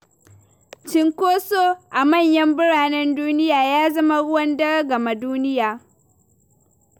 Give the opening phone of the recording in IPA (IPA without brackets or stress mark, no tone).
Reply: t͡ʃ